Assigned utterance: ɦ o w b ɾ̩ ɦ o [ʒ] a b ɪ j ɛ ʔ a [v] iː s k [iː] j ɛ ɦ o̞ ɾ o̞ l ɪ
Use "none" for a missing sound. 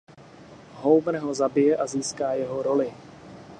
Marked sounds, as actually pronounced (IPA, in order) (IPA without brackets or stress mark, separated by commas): z, z, aː